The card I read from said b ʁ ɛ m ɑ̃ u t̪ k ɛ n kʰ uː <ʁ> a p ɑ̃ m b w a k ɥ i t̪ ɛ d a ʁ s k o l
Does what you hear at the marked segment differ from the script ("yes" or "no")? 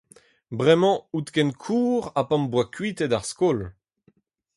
no